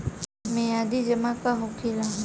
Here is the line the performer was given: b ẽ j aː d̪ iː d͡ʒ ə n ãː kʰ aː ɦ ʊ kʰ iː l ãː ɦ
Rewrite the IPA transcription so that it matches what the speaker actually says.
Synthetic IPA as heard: m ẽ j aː d̪ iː d͡ʒ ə m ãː k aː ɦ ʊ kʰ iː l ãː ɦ